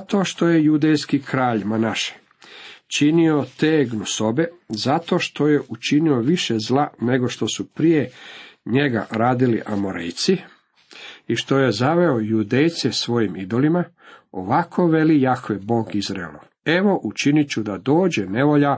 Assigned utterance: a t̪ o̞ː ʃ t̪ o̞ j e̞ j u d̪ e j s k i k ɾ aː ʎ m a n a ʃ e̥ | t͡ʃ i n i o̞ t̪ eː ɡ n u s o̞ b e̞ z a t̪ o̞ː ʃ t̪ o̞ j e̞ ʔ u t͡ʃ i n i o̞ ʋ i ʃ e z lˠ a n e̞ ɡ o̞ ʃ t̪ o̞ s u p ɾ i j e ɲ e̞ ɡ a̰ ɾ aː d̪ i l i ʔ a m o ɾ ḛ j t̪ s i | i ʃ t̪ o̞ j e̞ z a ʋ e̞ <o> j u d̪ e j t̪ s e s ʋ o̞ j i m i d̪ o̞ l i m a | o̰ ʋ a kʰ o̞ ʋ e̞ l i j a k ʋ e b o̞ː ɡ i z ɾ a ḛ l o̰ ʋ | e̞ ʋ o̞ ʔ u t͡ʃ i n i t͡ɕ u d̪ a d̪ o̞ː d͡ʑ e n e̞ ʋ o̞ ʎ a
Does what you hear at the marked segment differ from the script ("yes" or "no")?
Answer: no